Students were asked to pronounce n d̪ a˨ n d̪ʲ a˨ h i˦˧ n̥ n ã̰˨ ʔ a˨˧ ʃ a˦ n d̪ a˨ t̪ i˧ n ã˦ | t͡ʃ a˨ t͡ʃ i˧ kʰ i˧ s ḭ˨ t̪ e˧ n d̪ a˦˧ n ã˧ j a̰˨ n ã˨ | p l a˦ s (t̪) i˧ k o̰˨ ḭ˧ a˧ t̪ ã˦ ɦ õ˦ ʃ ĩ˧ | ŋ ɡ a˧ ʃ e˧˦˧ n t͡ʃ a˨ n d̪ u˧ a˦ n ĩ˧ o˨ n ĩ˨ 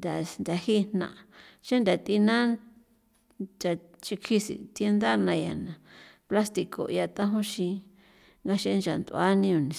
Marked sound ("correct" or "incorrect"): correct